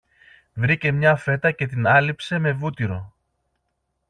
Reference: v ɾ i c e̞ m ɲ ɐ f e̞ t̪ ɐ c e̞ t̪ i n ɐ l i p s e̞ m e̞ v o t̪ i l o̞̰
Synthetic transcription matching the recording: v ɾ i c e̞ m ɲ ɐ f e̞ t̪ ɐ c e̞ t̪ i n ɐ l i p s e̞ m e̞ v u t̪ i ɾ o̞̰